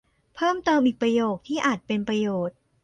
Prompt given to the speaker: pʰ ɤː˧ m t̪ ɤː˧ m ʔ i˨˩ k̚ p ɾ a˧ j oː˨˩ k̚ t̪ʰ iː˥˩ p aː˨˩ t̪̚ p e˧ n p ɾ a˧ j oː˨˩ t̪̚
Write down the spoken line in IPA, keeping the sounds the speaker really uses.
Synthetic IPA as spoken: pʰ ɤː˥˩ m t̪ ɤː˧ m ʔ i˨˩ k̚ p ɾ a˧ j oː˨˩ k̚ t̪ʰ iː˥˩ ʔ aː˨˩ t̪̚ p e˧ n p ɾ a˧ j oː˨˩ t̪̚